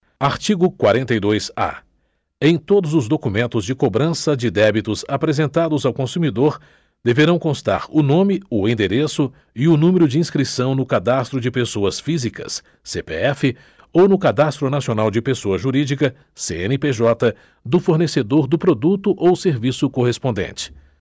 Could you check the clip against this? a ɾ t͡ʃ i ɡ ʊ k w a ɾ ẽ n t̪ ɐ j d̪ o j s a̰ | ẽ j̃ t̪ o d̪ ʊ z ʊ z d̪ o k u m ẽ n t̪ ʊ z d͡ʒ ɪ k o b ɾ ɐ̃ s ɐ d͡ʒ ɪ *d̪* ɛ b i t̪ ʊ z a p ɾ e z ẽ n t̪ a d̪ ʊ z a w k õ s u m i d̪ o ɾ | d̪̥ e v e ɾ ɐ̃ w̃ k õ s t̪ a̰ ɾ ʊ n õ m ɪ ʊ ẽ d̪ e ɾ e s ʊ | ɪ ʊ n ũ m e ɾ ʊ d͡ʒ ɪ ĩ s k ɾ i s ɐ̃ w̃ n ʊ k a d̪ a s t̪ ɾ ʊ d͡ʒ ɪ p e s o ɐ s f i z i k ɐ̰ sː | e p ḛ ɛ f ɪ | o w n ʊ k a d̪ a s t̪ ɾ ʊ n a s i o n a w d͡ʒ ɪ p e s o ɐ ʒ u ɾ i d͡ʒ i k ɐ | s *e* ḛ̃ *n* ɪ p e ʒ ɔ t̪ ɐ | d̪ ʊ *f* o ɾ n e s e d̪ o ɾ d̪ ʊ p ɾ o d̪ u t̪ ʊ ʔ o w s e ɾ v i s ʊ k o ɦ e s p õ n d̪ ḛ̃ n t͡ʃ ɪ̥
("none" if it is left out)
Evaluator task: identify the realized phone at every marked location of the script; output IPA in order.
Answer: d̪, e, n, f

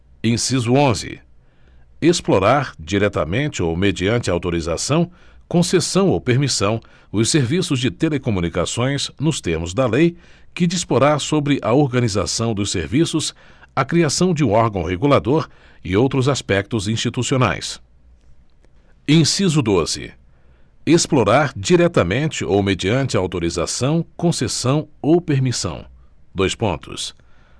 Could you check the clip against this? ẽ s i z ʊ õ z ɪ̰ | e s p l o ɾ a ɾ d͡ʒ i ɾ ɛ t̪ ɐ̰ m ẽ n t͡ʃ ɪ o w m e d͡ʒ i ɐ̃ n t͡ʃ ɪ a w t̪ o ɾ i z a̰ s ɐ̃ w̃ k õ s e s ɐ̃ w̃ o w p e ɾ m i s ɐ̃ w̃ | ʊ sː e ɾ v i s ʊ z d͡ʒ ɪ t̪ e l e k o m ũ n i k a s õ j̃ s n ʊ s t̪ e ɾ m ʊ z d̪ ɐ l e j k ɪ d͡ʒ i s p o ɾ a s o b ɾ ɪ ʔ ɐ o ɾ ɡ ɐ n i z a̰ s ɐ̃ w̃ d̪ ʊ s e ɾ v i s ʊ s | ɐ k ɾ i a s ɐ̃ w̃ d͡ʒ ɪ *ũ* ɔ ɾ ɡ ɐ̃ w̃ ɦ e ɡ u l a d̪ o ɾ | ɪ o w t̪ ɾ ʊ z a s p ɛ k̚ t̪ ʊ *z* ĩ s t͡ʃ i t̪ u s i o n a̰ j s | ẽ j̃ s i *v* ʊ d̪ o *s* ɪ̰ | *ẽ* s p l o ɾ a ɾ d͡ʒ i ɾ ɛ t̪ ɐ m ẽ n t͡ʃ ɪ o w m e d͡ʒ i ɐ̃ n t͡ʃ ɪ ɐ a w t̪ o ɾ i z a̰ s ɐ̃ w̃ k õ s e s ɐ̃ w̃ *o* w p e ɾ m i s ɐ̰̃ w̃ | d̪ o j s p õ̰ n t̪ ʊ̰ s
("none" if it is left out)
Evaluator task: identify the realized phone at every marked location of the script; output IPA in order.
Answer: ũ, z, z, z, e, o

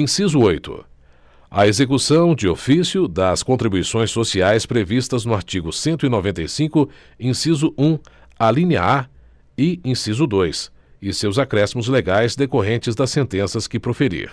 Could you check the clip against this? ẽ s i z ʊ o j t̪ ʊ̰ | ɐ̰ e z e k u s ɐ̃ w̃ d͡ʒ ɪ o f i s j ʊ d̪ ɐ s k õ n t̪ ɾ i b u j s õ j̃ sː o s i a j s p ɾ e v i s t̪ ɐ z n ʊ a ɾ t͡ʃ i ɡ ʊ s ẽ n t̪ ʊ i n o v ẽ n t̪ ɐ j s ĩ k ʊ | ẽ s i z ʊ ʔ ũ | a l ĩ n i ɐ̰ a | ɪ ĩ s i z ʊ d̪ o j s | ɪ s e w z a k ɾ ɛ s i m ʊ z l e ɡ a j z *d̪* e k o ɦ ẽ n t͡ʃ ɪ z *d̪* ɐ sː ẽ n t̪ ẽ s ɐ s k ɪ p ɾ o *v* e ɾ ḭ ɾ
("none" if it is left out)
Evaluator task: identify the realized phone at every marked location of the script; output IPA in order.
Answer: d̪, d̪, f

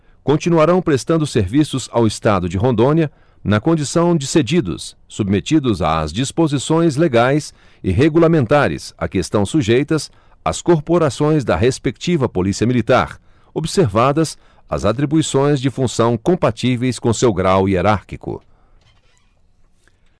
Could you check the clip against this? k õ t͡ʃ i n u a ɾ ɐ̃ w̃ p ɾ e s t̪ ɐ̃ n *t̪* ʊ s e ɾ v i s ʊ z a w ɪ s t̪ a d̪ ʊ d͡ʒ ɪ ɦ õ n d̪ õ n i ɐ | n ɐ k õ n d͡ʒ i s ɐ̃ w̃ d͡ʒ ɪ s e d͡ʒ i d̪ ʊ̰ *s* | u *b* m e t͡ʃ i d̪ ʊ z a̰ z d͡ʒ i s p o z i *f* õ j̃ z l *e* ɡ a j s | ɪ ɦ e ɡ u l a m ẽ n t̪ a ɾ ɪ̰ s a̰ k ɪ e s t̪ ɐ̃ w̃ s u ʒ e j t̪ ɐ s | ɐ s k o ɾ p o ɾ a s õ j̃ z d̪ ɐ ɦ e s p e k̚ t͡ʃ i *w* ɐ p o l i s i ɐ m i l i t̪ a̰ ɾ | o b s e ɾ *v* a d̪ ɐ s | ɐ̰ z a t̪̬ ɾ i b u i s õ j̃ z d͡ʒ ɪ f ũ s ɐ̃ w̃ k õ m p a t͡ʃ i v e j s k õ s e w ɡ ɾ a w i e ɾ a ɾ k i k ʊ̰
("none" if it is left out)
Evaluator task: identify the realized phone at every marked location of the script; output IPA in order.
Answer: d̪, sː, b, s, e, v, v

